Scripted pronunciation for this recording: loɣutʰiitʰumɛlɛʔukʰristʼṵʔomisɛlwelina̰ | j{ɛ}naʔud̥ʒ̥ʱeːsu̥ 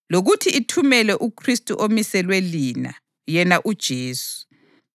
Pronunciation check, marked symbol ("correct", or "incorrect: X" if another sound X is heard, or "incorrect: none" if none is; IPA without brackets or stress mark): correct